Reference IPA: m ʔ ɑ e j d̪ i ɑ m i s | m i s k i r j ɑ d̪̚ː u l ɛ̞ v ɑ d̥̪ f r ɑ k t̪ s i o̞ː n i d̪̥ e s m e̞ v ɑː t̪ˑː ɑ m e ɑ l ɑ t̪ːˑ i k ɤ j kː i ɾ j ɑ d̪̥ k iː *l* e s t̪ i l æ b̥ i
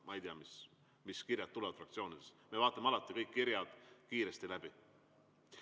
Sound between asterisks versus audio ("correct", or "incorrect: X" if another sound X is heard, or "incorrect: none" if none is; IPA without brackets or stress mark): incorrect: ɾ